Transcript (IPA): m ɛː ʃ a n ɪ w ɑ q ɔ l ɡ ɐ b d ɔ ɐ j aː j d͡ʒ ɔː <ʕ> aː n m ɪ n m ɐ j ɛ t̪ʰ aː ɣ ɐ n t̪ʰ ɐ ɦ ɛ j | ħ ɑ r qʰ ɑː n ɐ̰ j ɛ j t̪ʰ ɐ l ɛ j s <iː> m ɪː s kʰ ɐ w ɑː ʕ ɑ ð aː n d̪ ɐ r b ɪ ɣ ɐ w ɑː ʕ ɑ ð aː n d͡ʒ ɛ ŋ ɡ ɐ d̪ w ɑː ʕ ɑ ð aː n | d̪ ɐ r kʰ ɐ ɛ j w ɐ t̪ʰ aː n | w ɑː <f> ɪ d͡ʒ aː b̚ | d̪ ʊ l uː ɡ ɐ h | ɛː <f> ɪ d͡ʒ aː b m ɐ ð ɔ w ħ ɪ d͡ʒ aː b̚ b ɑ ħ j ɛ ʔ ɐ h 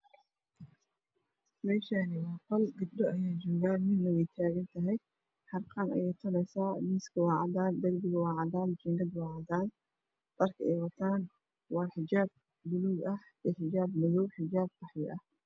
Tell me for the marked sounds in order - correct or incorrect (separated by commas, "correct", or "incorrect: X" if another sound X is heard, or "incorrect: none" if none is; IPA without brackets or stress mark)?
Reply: incorrect: ɣ, incorrect: aː, incorrect: ħ, incorrect: ħ